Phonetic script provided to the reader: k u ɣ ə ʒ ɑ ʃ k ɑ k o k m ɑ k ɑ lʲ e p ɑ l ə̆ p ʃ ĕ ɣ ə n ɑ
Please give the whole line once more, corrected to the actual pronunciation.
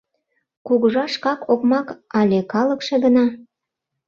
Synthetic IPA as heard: k u ɣ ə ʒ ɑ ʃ k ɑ k o k m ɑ k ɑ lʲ e k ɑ l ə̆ k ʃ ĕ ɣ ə n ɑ